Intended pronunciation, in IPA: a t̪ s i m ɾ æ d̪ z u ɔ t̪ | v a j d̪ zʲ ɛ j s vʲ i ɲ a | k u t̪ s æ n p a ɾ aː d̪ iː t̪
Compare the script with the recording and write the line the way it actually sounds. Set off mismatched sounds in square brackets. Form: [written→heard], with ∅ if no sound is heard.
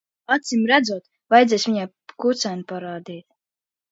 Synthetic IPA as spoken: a t̪ s i m ɾ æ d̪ z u ɔ t̪ | v a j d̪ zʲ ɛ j s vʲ i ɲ a | k u t̪ s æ n p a ɾ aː d̪ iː t̪